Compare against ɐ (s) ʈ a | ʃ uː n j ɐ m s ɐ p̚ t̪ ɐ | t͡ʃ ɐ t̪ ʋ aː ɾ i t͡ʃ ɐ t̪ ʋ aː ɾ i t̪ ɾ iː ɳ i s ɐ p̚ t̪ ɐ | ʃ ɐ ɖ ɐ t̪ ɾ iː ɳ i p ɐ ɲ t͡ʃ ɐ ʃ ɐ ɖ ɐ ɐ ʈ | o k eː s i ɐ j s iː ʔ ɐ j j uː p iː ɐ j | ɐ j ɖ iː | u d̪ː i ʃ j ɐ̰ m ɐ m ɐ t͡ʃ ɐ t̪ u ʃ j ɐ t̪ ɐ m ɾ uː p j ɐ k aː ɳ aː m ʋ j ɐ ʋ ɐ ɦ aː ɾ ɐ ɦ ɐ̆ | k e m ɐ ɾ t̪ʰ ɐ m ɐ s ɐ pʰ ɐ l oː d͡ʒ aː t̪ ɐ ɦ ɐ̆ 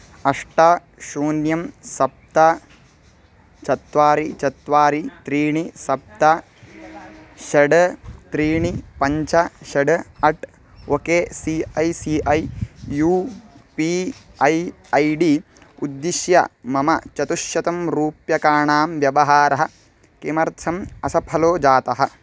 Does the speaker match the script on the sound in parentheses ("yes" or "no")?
no